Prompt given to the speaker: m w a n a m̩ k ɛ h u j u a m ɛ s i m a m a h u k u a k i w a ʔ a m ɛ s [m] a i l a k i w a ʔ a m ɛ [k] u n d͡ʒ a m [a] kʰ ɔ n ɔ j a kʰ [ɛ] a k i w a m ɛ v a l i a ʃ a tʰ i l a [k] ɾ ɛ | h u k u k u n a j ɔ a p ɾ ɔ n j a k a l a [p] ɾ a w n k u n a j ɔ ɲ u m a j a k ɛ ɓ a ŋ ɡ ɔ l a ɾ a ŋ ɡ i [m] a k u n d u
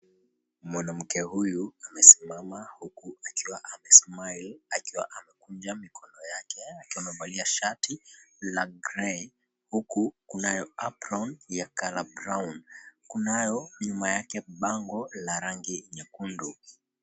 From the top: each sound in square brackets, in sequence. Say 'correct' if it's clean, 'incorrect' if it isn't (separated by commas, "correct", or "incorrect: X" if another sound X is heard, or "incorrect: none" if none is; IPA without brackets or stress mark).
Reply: correct, correct, incorrect: i, correct, incorrect: ɡ, incorrect: b, incorrect: ɲ